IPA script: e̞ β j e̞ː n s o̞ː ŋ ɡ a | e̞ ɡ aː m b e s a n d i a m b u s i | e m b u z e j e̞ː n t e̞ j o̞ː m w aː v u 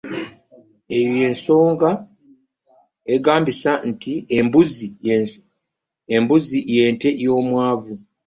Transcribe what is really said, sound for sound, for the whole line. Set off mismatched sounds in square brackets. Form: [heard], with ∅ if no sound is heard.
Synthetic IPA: e̞ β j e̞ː n s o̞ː ŋ ɡ a | e̞ ɡ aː m b [i] s a n [t] i [e] m b u [z] i | e m b u z [i] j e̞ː n t e̞ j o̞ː m w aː v u